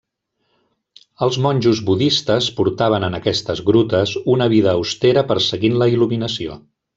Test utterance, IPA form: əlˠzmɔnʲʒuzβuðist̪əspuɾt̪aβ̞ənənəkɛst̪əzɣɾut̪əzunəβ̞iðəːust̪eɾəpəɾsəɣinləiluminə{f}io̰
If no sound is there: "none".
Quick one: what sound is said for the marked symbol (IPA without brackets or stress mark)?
s